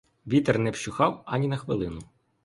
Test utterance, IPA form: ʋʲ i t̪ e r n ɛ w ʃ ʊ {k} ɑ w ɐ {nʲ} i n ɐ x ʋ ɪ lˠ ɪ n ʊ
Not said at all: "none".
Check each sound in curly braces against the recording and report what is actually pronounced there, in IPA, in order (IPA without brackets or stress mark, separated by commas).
x, nʲ